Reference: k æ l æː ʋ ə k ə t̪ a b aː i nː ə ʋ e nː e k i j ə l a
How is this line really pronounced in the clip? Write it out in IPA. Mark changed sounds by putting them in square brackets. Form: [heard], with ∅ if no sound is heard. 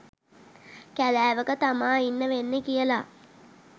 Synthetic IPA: k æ l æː ʋ ə k ə t̪ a [m] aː i nː ə ʋ e nː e k i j ə l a